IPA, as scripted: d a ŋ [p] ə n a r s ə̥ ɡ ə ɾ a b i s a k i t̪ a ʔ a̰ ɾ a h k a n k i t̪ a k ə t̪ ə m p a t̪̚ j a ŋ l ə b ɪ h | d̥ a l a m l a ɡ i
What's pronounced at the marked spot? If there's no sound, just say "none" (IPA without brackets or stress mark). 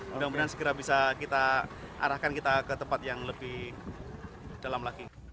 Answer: b